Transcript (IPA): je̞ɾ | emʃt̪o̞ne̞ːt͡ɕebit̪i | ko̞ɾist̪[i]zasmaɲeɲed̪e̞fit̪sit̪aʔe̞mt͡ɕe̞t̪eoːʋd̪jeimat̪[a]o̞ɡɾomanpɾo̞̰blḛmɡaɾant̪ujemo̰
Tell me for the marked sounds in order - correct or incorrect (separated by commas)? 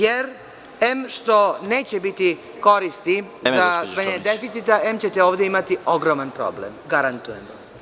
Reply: correct, incorrect